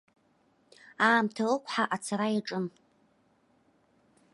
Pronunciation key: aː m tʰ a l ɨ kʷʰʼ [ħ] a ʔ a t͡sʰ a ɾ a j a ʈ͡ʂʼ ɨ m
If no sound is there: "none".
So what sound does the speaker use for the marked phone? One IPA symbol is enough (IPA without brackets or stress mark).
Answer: ħ